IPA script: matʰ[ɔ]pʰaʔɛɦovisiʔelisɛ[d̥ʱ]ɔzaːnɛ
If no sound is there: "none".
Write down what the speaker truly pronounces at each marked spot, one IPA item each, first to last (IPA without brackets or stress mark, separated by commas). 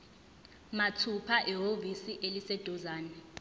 u, d̥ʱ